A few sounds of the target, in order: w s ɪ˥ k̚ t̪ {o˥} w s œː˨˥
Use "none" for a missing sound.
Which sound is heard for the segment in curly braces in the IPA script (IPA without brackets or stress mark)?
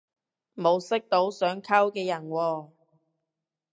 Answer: o˨˥